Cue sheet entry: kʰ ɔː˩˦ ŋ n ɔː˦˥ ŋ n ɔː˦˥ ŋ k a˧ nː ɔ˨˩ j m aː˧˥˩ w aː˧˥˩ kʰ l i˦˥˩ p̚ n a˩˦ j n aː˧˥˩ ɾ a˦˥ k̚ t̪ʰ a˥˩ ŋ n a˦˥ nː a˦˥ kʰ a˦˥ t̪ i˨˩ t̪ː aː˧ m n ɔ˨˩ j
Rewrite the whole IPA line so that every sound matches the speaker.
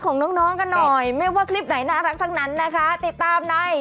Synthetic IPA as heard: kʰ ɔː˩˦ ŋ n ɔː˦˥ ŋ n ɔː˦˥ ŋ k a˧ nː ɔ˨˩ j m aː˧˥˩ w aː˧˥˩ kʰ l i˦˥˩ p̚ n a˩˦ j n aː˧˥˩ ɾ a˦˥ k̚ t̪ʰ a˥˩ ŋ n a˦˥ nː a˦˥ kʰ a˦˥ t̪ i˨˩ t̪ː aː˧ m n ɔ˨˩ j